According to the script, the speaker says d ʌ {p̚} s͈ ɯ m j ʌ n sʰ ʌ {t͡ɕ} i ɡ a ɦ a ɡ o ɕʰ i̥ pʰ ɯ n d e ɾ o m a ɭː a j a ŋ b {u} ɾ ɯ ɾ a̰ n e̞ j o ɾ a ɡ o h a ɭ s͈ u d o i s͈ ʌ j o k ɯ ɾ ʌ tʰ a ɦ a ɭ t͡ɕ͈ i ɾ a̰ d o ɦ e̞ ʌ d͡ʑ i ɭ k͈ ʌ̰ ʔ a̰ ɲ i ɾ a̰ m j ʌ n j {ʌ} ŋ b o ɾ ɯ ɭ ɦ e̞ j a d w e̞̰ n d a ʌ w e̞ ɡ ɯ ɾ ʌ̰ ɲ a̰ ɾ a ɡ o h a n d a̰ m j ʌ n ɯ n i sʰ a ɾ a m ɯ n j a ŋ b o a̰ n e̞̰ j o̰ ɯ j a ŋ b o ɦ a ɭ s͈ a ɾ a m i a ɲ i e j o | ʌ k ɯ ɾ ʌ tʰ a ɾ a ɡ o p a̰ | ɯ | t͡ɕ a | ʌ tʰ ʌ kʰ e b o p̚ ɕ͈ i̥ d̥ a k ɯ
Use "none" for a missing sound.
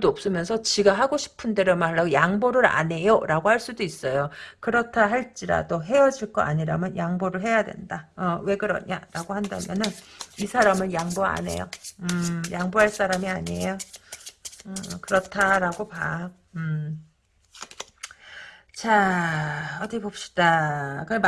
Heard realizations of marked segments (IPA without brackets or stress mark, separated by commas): p̚, t͡ɕ, o, a